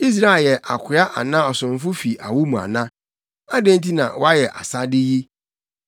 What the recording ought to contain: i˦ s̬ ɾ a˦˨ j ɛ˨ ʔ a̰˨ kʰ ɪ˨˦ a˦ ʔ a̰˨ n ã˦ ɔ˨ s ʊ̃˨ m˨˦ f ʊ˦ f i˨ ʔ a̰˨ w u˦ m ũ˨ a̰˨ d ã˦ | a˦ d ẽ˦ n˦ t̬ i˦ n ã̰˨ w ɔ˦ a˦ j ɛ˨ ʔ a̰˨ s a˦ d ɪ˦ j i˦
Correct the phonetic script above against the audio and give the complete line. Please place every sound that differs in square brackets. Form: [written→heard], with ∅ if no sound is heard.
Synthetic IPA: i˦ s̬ ɾ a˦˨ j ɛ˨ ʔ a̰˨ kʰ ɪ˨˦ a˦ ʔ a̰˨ n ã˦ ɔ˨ s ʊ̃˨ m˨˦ f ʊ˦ f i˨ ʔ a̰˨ w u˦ m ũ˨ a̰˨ [d→n] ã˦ | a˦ d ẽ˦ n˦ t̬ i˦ n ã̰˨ w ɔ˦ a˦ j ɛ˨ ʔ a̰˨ s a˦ d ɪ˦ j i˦